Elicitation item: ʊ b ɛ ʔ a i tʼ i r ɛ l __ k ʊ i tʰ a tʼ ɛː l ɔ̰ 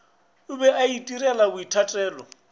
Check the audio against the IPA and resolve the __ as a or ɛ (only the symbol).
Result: a